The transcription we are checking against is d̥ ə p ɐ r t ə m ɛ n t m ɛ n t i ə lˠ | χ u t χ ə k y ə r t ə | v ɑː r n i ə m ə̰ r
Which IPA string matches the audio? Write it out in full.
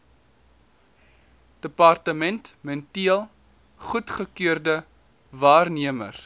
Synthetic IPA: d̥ ə p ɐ r t ə m ɛ n t m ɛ n t i ə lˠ | χ u t χ ə k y ə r d ə | v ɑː r n i ə m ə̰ r

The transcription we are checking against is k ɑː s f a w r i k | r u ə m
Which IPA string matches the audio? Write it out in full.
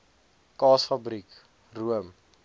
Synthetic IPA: k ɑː s f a b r i k | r u ə m

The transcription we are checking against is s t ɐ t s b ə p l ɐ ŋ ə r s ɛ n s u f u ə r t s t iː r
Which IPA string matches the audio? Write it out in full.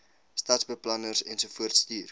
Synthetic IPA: s t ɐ t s b ə p l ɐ n ə r s ɛ n s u f u ə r t s t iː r

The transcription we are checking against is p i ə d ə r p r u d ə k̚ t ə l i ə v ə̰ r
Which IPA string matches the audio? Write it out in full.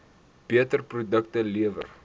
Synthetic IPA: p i ə t ə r p r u d ə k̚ t ə l i ə v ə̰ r

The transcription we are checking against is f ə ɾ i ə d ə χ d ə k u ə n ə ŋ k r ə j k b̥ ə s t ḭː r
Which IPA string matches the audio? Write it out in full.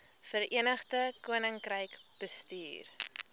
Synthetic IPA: f ə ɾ i ə n ə χ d ə k u ə n ə ŋ k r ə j k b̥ ə s t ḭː r

